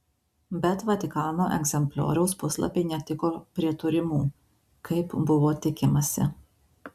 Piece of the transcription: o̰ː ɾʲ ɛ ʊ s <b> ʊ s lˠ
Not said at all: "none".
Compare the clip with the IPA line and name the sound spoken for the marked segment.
p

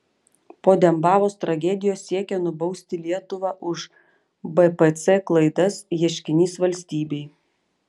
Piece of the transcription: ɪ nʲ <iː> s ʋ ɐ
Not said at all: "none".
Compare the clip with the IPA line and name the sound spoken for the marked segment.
iː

